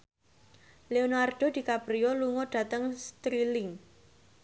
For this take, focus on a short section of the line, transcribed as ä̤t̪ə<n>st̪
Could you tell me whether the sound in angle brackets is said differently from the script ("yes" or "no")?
yes